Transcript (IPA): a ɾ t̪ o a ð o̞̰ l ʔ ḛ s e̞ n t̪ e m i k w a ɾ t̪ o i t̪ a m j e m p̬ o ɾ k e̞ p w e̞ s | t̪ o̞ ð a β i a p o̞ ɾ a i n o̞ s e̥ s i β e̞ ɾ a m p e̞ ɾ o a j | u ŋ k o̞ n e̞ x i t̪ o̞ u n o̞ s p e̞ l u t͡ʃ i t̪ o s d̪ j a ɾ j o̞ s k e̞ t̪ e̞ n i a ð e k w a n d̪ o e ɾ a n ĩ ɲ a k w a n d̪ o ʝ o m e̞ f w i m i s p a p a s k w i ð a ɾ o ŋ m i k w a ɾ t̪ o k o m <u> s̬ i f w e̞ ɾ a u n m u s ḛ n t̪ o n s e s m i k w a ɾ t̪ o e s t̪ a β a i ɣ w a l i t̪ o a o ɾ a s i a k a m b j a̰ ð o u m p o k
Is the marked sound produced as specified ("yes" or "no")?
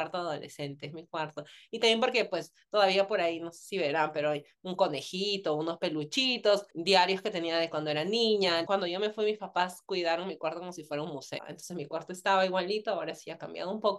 no